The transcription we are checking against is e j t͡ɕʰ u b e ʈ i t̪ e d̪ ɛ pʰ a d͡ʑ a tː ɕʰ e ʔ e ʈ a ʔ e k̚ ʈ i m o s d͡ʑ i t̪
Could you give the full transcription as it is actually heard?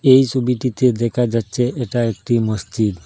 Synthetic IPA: e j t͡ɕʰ u b i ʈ i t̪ e d̪ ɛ kʰ a d͡ʑ a tː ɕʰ e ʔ e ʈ a e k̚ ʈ i m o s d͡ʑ i d̪